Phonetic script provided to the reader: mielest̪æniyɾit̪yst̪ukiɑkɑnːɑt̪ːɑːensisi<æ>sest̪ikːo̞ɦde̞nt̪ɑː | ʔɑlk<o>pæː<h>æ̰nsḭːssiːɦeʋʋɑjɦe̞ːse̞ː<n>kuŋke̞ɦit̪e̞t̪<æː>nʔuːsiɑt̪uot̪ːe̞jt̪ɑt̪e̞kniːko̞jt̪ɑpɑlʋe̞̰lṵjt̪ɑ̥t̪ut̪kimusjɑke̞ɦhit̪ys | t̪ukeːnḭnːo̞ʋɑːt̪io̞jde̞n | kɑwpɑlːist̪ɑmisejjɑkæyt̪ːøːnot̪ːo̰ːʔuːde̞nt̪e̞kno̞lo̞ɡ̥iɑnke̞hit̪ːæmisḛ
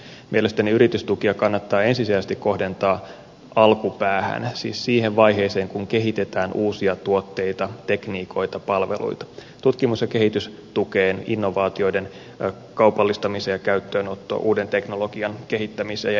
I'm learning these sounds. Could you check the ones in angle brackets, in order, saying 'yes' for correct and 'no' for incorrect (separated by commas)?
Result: yes, no, yes, no, yes